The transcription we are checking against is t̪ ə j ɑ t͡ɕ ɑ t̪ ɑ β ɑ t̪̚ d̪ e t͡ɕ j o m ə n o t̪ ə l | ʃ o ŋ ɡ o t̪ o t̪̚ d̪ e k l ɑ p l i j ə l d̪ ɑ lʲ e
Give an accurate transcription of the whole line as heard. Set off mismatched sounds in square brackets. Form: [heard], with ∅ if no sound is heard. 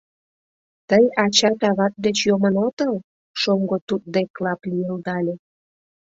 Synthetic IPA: t̪ ə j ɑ t͡ɕ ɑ t̪ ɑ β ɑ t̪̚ d̪ e t͡ɕ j o m ə n o t̪ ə l | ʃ o ŋ ɡ o t̪ [u] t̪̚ d̪ e k l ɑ p l i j ə l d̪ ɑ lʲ e